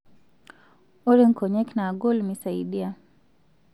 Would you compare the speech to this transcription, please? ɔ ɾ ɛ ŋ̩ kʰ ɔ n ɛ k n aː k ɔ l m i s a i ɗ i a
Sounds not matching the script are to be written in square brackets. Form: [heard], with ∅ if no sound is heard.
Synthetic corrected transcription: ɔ ɾ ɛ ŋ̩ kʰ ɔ [ɲ] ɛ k n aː [ɡ] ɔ l m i s a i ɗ i a